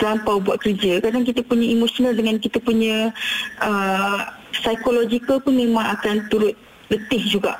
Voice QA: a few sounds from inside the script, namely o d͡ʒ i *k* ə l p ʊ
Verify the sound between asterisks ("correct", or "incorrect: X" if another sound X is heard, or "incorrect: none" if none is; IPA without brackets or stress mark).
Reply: correct